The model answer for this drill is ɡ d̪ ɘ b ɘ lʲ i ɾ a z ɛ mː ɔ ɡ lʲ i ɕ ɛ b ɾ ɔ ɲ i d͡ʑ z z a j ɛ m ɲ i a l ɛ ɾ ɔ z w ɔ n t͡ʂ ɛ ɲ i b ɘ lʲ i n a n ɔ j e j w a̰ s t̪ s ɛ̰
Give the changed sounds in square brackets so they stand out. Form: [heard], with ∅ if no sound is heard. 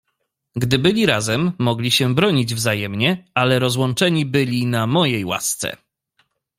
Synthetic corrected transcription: ɡ d̪ ɘ b ɘ lʲ i ɾ a z ɛ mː ɔ ɡ lʲ i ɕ ɛ b ɾ ɔ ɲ i d͡ʑ [v] z a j ɛ m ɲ [ɛ] a l ɛ ɾ ɔ z w ɔ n t͡ʂ ɛ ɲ i b ɘ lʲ i n a [m] ɔ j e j w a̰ s t̪ s ɛ̰